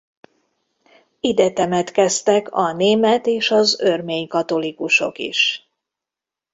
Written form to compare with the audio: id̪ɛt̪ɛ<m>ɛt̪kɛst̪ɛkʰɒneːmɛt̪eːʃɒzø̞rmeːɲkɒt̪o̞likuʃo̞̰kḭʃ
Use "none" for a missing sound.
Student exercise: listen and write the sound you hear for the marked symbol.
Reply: m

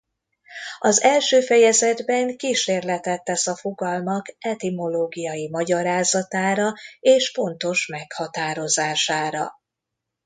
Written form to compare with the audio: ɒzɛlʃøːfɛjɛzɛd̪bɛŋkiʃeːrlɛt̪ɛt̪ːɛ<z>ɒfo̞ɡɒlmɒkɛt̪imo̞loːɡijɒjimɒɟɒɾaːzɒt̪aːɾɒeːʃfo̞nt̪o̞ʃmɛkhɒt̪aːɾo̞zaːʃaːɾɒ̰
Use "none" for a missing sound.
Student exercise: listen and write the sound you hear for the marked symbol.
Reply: s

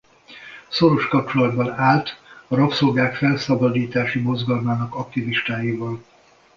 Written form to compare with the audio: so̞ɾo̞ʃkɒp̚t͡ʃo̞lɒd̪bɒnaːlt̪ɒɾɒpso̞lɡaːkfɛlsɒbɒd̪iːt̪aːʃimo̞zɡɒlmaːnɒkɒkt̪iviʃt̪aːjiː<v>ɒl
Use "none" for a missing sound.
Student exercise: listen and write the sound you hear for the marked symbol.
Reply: v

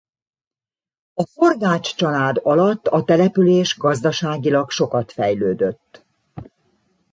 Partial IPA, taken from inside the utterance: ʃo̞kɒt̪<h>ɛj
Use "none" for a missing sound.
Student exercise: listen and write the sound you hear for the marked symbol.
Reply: f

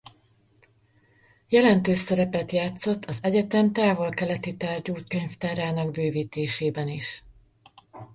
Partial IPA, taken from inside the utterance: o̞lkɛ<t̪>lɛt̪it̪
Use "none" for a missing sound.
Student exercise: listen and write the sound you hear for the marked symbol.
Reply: none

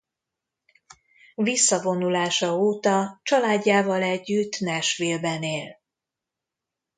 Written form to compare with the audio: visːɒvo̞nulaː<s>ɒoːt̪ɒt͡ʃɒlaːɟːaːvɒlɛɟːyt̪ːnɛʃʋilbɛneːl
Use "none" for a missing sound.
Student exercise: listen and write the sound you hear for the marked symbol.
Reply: ʃ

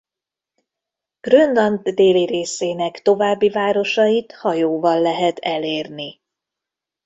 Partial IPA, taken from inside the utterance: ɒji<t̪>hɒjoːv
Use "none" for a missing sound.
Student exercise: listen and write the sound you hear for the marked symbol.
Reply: t̪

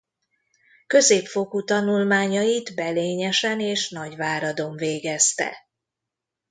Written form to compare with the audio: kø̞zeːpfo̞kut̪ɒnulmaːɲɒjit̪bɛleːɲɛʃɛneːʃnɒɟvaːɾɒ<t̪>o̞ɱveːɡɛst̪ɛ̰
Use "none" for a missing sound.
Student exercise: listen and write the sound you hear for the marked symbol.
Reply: d̪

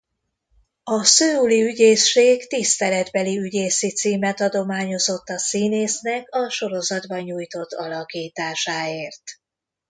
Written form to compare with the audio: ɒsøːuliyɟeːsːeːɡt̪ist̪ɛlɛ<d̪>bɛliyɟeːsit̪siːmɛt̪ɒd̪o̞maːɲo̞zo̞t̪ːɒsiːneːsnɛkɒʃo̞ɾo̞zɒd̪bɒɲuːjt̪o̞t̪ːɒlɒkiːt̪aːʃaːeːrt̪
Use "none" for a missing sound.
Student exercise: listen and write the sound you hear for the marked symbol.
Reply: d̪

